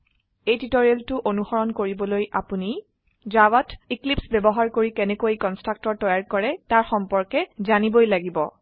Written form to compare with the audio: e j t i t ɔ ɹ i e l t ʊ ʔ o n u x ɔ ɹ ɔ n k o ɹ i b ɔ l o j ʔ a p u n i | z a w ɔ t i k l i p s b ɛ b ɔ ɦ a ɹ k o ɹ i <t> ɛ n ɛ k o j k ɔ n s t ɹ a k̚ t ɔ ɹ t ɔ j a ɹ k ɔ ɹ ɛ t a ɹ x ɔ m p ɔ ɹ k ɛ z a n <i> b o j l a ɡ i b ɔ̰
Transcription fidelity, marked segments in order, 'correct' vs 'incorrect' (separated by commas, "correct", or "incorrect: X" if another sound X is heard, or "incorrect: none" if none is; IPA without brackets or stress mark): incorrect: k, correct